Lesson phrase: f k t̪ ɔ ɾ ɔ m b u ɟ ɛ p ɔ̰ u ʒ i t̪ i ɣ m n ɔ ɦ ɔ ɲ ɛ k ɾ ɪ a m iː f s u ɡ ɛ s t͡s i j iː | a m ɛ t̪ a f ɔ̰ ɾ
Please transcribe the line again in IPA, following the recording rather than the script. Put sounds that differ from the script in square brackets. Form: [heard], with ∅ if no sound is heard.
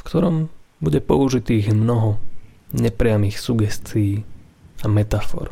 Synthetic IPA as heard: f k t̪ ɔ ɾ ɔ m b u ɟ ɛ p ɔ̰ u ʒ i t̪ [iː] ɣ m n ɔ ɦ ɔ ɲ ɛ [p] ɾ ɪ a m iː [x] s u ɡ ɛ s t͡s i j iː | a m ɛ t̪ a f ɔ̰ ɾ